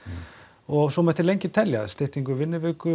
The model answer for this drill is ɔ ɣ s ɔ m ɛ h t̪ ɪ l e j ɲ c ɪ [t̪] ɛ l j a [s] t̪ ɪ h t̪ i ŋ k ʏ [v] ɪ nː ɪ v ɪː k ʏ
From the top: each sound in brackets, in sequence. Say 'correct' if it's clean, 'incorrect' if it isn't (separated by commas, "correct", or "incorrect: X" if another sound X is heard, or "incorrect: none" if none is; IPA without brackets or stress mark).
incorrect: t̪ʰ, correct, correct